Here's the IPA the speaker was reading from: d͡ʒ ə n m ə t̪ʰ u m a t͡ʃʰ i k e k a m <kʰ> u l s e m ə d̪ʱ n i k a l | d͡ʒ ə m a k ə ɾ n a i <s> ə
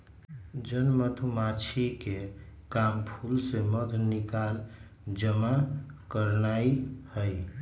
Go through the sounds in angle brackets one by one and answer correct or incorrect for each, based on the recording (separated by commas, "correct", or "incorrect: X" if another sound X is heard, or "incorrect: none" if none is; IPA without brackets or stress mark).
incorrect: pʰ, incorrect: h